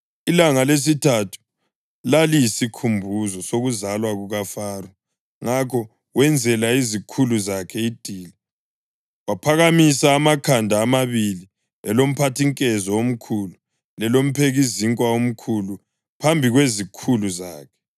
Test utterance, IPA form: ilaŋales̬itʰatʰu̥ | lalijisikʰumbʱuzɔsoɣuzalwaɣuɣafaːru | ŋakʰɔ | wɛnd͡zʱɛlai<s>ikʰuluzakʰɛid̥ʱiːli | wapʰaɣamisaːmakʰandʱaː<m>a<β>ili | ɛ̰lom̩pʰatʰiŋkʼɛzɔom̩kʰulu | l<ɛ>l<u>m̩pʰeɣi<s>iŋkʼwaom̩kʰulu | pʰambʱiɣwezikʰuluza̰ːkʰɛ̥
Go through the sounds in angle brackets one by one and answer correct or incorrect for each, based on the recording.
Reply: incorrect, correct, correct, correct, incorrect, incorrect

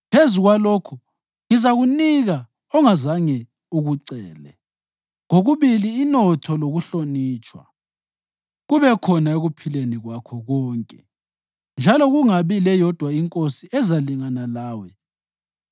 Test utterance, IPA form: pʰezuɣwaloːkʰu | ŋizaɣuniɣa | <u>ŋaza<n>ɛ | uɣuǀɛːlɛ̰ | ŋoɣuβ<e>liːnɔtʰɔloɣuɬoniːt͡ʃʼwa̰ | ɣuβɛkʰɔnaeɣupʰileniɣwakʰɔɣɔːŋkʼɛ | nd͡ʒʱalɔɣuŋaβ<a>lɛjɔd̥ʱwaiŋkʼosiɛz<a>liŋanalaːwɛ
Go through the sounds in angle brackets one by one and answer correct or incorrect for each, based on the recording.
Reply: incorrect, incorrect, incorrect, incorrect, correct

